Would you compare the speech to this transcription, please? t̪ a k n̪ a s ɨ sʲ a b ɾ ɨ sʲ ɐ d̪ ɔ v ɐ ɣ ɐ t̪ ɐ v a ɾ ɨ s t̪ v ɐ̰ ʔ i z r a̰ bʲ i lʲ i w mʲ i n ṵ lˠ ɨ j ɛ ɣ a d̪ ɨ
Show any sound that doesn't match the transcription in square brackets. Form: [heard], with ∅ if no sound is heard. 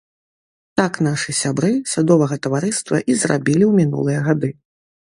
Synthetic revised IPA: t̪ a k n̪ a [ʂ] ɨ sʲ a b ɾ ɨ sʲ [a] d̪ ɔ v ɐ ɣ ɐ t̪ ɐ v a ɾ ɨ s t̪ v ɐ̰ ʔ i z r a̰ bʲ i lʲ i w mʲ i n ṵ lˠ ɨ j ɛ ɣ a d̪ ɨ

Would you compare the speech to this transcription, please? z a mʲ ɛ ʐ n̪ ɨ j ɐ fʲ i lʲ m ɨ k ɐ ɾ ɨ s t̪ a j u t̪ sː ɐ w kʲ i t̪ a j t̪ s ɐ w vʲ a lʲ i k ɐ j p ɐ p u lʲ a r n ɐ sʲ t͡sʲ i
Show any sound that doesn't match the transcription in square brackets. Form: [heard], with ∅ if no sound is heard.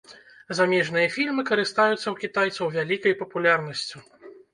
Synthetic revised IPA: z a mʲ ɛ ʐ n̪ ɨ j ɐ fʲ i lʲ m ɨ k ɐ ɾ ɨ s t̪ a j u t̪ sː ɐ w kʲ i t̪ a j t̪ s ɐ w vʲ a lʲ i k ɐ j p ɐ p u lʲ a r n ɐ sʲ t͡sʲ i

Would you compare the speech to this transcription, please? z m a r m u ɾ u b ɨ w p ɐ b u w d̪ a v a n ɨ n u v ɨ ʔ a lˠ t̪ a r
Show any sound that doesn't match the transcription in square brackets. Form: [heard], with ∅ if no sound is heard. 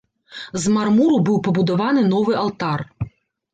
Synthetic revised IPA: z m a r m u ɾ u b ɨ w p ɐ b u [∅] d̪ a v a n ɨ n [ɔ] v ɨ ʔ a lˠ t̪ a r

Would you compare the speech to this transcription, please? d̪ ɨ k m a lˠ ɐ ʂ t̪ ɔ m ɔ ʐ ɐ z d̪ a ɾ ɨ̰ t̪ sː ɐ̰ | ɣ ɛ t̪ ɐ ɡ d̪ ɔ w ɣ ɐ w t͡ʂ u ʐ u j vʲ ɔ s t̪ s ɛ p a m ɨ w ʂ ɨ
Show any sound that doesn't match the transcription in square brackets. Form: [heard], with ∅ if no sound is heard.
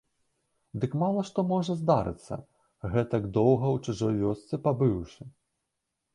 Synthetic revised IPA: d̪ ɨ k m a lˠ ɐ ʂ t̪ ɔ m ɔ ʐ ɐ z d̪ a ɾ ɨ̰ t̪ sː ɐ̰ | ɣ ɛ t̪ ɐ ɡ d̪ ɔ w ɣ ɐ w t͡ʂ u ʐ [ɔ] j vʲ ɔ s t̪ s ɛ p a [b] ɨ w ʂ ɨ

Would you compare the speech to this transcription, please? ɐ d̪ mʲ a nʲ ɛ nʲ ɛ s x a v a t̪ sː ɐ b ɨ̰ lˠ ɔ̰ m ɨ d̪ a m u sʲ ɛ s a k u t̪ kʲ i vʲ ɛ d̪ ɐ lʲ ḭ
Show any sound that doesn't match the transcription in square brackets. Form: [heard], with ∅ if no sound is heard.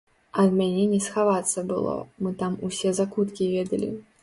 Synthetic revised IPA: ɐ d̪ mʲ a nʲ ɛ nʲ ɛ s x a v a t̪ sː ɐ b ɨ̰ lˠ ɔ̰ m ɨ [t̪] a m u sʲ ɛ [z] a k u t̪ kʲ i vʲ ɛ d̪ ɐ lʲ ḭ

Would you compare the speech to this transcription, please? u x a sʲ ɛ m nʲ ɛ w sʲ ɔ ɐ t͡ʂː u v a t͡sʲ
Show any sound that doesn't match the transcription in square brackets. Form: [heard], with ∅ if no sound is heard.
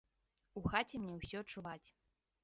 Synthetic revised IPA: u x a [t͡sʲ] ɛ m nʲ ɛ w sʲ ɔ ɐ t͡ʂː u v a t͡sʲ

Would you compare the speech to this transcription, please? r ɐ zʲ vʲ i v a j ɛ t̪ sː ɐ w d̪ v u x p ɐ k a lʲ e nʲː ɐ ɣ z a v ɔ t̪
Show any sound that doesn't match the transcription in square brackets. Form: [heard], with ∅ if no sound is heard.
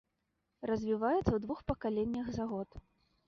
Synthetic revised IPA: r ɐ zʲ vʲ i v a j ɛ t̪ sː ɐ w d̪ v u x p ɐ k a lʲ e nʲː ɐ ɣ z a [ɣ] ɔ t̪

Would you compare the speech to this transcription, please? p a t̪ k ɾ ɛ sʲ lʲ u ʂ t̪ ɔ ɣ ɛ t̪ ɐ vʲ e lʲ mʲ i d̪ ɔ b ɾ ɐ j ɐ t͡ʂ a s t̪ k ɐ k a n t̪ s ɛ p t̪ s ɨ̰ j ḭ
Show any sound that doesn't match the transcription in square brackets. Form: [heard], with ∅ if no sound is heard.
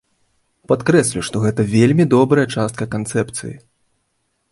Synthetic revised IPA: p a t̪ k ɾ ɛ sʲ lʲ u ʂ t̪ ɔ ɣ ɛ t̪ ɐ vʲ e lʲ mʲ i d̪ ɔ b ɾ ɐ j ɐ t͡ʂ a s t̪ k ɐ k a n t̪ s ɛ p t̪ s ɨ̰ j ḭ

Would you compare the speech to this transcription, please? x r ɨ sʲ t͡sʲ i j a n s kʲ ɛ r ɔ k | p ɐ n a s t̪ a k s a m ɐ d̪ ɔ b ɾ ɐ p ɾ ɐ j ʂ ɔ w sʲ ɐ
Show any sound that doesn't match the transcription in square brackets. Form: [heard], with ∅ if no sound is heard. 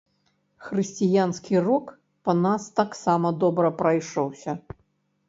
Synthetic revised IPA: x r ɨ sʲ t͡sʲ i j a n s kʲ [i] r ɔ k | p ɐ n a s t̪ a k s a m ɐ d̪ ɔ b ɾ ɐ p ɾ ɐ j ʂ ɔ w sʲ ɐ

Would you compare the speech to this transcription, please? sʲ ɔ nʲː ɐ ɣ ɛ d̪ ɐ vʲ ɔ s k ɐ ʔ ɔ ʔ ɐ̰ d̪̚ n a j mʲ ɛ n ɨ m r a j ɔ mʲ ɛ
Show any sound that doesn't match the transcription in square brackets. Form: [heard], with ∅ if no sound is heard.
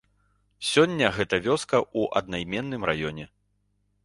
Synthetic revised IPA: sʲ ɔ nʲː ɐ ɣ ɛ [t̪] ɐ vʲ ɔ s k ɐ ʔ [u] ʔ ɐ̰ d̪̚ n a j mʲ ɛ [nː] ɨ m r a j ɔ [nʲ] ɛ

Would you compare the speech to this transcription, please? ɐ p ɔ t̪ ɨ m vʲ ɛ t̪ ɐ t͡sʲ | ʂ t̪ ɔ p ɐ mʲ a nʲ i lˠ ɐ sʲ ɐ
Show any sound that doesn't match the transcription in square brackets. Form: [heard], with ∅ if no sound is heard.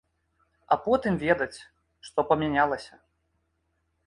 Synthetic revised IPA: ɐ p ɔ t̪ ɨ m vʲ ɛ [d̪] ɐ t͡sʲ | ʂ t̪ ɔ p ɐ mʲ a nʲ [a] lˠ ɐ sʲ ɐ

